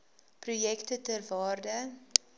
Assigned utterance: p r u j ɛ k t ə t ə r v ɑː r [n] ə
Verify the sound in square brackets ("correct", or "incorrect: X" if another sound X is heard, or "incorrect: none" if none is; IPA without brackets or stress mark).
incorrect: d